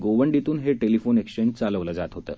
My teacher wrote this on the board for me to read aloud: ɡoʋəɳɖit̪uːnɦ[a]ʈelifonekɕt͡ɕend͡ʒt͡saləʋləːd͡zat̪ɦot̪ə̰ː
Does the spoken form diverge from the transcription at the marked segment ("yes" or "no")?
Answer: yes